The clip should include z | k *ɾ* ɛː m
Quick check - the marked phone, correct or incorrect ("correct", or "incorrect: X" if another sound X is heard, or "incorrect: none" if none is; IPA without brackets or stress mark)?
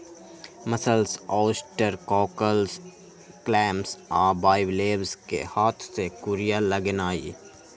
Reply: incorrect: l